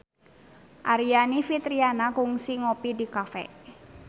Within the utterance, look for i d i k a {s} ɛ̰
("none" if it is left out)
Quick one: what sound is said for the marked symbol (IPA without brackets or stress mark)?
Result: f